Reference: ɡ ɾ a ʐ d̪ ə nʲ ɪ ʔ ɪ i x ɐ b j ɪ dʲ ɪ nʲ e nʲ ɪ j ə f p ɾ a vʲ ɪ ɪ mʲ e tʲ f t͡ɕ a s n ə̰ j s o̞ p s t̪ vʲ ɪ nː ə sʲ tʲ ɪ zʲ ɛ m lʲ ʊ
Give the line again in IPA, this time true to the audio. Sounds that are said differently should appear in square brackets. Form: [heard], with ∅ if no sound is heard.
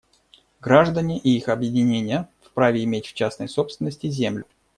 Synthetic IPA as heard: ɡ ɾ a ʐ d̪ ə nʲ ɪ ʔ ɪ i x ɐ b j ɪ dʲ ɪ nʲ e nʲ ɪ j ə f p ɾ a vʲ ɪ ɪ mʲ e tʲ f t͡ɕ a s n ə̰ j s o̞ p s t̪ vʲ ɪ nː ə sʲ tʲ ɪ zʲ [e] m lʲ ʊ